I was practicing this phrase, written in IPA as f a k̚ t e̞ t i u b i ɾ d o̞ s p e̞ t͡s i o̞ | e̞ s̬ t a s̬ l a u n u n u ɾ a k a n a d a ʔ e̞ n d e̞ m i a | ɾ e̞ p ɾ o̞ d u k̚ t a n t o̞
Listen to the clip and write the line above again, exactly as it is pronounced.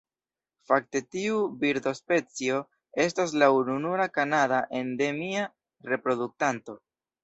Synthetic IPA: f a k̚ t e̞ t i u b i ɾ d o̞ s p e̞ t͡s i o̞ | e̞ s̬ t a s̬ l a u n u n u ɾ a k a n a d a ʔ e̞ n d e̞ m i a | ɾ e̞ p ɾ o̞ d u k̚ t a n t o̞